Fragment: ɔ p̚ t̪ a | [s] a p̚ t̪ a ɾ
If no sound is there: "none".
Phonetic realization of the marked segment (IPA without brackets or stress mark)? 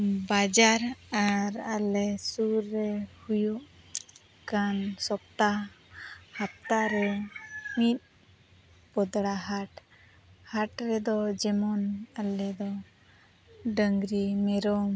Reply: h